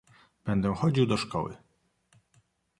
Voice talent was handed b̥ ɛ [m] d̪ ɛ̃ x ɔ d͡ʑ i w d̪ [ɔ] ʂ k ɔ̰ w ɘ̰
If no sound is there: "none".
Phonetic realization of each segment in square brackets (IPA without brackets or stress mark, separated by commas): n, ɔ